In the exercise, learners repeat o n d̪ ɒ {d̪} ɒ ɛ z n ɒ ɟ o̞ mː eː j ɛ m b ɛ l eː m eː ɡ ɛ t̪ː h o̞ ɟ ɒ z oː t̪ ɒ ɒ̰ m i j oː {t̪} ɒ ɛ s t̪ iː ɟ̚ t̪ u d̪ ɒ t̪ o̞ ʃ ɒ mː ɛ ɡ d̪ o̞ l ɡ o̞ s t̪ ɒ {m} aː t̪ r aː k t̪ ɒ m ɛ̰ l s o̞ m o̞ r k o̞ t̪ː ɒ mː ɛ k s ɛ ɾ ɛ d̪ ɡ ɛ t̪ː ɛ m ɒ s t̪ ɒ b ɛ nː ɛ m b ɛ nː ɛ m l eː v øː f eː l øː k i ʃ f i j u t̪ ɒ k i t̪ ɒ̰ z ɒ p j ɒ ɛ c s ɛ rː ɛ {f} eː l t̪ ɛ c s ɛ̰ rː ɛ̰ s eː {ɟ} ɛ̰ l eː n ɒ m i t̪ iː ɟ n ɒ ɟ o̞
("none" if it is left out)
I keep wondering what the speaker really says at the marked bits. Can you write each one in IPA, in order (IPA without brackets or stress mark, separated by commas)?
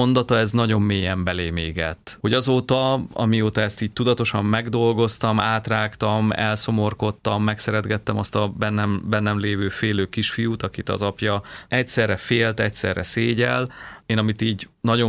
t̪, t̪, m, f, ɟ